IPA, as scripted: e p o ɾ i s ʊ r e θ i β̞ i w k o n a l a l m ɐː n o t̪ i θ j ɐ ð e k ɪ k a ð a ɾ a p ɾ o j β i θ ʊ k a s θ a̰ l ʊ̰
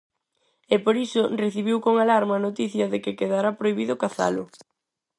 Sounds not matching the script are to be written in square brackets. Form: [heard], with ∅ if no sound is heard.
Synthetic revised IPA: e p o ɾ i s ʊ r e θ i β̞ i w k o [ŋ] a l a [ɾ] m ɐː n o t̪ i θ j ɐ ð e k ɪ k [e] ð a ɾ a p ɾ o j β i [ð] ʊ k a [∅] θ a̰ l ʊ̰